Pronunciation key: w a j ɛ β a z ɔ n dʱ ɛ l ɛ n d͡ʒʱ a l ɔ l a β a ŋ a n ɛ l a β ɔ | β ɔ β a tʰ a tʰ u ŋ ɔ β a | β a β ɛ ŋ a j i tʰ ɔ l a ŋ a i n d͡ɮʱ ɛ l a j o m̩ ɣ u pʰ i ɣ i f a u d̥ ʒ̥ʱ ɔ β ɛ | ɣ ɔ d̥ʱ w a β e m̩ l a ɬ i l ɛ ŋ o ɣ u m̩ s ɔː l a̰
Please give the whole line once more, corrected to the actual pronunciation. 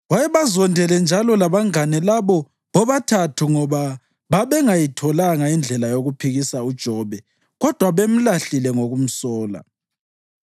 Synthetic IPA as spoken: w a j ɛ β a z ɔ n dʱ ɛ l ɛ n d͡ʒʱ a l ɔ l a β a ŋ a n ɛ l a β ɔ | β ɔ β a tʰ a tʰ u ŋ ɔ β a | β a β ɛ ŋ a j i tʰ ɔ l a ŋ a i n d͡ɮʱ ɛ l a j o ɣ u pʰ i ɣ i s a u d̥ ʒ̥ʱ ɔ β ɛ | ɣ ɔ d̥ʱ w a β e m̩ l a ɬ i l ɛ ŋ o ɣ u m̩ s ɔː l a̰